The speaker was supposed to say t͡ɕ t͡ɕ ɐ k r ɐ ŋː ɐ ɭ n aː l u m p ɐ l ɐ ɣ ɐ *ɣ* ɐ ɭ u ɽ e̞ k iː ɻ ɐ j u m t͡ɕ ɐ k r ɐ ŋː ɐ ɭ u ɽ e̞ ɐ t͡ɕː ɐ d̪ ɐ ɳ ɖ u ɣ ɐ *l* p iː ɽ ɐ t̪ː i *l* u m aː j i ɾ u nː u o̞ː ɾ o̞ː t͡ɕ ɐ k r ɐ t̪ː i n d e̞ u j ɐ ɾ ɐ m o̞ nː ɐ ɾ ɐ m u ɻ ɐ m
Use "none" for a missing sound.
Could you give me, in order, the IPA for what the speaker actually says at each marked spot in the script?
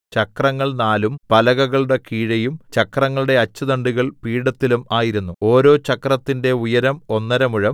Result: ɣ, ɭ, l

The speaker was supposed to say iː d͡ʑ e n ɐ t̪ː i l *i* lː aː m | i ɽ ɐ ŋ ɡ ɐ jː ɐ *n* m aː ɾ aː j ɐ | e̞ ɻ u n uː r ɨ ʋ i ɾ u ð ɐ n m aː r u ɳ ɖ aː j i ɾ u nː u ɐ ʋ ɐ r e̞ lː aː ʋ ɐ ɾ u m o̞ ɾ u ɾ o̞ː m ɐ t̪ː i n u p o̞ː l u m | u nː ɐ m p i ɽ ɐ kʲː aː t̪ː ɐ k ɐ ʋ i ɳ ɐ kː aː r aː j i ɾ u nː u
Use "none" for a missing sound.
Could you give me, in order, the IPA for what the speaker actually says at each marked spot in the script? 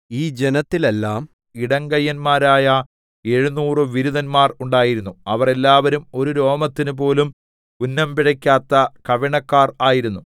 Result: e, n

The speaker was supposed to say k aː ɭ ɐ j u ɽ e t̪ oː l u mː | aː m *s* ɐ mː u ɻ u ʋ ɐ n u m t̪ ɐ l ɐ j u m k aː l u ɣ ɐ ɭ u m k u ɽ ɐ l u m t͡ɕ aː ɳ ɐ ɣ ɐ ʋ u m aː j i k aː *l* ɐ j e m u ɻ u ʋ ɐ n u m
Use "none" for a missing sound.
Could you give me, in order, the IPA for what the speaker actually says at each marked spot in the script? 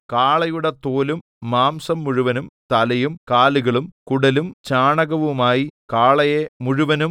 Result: s, ɭ

